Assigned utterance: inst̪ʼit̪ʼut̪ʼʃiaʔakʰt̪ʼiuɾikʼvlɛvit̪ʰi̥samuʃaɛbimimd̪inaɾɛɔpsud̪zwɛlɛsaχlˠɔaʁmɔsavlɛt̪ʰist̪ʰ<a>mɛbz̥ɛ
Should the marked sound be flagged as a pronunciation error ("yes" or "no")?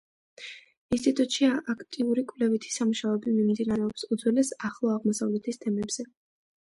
yes